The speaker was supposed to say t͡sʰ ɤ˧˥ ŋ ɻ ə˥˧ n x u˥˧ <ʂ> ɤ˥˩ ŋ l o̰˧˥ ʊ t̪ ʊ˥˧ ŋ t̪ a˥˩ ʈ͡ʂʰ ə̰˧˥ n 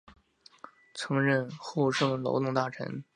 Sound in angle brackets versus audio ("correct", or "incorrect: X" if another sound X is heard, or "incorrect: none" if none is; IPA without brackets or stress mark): correct